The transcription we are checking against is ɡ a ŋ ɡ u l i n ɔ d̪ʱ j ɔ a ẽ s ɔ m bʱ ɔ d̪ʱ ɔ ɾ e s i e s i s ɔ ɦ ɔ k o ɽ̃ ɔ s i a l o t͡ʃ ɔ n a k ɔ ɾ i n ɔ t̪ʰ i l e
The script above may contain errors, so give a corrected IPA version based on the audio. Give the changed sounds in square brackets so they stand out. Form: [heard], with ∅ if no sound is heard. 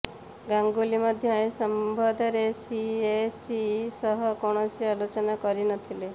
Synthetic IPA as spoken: ɡ a ŋ ɡ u l i [m] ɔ d̪ʱ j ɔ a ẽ s ɔ m bʱ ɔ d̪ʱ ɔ ɾ e s i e s i s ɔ ɦ ɔ k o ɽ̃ ɔ s i a l o t͡ʃ ɔ n a k ɔ ɾ i n ɔ t̪ʰ i l e